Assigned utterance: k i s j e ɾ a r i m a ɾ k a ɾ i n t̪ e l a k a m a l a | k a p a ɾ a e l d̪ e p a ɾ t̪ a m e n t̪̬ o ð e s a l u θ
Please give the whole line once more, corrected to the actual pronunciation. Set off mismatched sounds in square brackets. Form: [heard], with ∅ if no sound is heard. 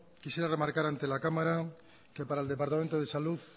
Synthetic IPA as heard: k i s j e ɾ a r [e] m a ɾ k a ɾ [a] n t̪ e l a k a m a [ɾ] a | k [e] p a ɾ a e l d̪ e p a ɾ t̪ a m e n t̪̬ o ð e s a l u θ